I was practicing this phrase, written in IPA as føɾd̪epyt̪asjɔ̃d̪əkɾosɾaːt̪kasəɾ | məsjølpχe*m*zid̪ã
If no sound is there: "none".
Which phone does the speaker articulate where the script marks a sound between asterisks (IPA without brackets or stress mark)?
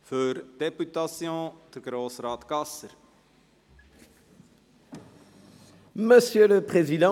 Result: none